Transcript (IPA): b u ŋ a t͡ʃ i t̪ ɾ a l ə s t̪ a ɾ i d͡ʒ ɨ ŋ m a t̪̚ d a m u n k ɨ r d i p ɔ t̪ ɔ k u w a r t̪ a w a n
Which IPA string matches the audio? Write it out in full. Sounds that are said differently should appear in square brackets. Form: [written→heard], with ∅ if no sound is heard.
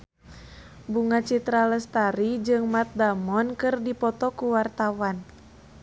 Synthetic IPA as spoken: b u ŋ a t͡ʃ i t̪ ɾ a l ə s t̪ a ɾ i d͡ʒ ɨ ŋ m a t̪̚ d a m [u→ɔ] n k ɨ r d i p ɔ t̪ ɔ k u w a r t̪ a w a n